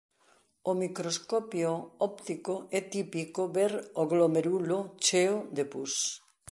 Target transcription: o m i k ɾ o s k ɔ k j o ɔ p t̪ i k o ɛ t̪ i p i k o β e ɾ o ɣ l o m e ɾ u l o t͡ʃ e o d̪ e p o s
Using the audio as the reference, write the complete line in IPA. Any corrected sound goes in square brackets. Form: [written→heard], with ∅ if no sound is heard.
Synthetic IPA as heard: o m i k ɾ o s k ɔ [k→p] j o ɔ p t̪ i k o ɛ t̪ i p i k o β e ɾ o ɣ l o m e ɾ u l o t͡ʃ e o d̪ e p [o→u] s